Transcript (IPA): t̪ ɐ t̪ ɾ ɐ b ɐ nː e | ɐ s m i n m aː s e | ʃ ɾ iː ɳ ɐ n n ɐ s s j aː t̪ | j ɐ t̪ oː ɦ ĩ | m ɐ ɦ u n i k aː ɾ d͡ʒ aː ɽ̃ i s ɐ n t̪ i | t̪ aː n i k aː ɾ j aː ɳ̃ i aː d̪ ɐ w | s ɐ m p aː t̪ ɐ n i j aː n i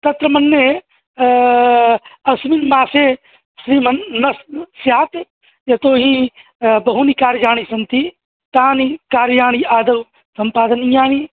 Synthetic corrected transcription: t̪ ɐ t̪ ɾ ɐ m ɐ nː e | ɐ s m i n m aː s e | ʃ ɾ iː m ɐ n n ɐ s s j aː t̪ | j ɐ t̪ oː ɦ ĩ | b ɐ ɦ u n i k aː ɾ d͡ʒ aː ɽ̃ i s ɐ n t̪ i | t̪ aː n i k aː ɾ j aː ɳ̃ i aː d̪ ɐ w | s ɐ m p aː d̪ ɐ n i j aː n i